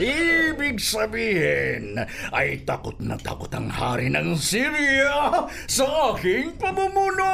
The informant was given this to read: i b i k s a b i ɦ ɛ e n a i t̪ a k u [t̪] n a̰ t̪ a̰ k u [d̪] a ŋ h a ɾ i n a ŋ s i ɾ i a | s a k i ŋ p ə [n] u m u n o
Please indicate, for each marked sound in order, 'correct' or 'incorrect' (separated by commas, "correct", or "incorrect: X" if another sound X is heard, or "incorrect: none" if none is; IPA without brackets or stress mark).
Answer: correct, incorrect: t̪, incorrect: m